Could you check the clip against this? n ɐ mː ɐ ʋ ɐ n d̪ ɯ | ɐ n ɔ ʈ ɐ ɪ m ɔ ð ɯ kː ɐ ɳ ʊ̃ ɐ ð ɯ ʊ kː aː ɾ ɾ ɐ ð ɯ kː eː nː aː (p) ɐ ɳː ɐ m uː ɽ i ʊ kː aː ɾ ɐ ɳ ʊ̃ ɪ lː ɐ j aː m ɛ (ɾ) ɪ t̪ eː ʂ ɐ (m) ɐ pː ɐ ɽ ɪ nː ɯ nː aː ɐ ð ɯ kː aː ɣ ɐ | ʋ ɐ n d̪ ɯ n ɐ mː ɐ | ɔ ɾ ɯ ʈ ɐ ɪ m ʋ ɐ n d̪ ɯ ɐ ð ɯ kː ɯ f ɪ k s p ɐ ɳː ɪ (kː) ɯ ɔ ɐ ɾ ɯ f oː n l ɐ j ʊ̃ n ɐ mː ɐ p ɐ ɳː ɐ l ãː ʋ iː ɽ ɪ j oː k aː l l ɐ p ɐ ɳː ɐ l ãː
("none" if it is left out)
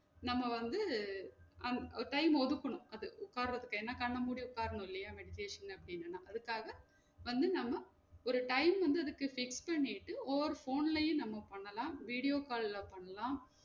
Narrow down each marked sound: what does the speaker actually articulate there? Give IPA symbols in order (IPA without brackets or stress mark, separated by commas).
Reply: k, ɽ, n, ʈː